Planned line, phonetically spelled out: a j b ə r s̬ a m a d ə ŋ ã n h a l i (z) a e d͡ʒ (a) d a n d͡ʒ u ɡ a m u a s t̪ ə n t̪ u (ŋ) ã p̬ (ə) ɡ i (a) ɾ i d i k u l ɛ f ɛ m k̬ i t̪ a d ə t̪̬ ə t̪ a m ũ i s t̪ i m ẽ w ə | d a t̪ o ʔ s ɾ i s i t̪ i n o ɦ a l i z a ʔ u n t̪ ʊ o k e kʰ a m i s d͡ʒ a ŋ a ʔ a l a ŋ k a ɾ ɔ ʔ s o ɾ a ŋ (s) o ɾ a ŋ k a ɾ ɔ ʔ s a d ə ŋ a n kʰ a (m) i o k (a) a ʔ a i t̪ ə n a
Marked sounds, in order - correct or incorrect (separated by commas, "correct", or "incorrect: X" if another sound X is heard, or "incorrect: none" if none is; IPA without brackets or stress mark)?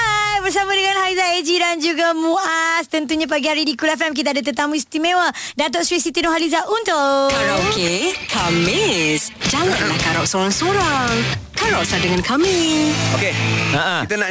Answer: correct, incorrect: i, incorrect: ɲ, incorrect: a, correct, correct, correct, incorrect: e